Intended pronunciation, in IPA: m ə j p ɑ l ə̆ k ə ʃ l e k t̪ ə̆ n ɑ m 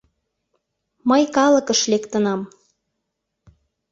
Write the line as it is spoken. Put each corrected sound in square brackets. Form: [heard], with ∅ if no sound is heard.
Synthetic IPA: m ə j [k] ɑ l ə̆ k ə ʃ l e k t̪ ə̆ n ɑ m